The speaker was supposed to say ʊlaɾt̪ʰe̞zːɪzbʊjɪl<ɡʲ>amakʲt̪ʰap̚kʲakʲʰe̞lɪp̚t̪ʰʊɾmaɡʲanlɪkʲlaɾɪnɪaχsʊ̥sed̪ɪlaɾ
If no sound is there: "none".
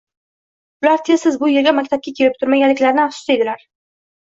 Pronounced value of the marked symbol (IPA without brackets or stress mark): ɡʲ